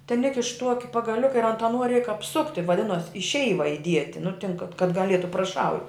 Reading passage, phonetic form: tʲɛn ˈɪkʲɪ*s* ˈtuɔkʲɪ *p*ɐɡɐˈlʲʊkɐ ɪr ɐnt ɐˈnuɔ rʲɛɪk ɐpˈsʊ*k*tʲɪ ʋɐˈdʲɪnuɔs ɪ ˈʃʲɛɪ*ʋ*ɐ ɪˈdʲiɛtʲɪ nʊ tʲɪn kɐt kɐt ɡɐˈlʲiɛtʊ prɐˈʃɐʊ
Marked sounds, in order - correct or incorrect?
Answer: incorrect, correct, correct, correct

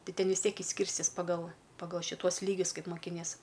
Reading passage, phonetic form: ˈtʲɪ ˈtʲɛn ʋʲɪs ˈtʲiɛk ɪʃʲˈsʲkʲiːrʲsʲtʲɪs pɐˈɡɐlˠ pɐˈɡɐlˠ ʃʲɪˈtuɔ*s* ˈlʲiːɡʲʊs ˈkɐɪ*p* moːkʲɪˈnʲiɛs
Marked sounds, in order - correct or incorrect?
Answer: correct, correct

